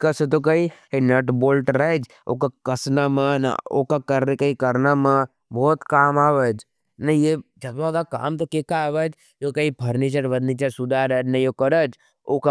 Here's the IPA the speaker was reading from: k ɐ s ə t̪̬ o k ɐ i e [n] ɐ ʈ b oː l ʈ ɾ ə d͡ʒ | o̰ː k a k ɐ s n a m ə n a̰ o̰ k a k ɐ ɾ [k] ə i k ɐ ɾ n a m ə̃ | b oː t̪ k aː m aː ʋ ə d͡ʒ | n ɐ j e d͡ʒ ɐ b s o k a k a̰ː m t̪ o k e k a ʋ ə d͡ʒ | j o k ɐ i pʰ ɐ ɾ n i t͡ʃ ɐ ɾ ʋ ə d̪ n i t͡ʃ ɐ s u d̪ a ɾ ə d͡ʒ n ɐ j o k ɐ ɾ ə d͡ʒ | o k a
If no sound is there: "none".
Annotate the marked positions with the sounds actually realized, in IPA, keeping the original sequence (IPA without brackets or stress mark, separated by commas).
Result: n, k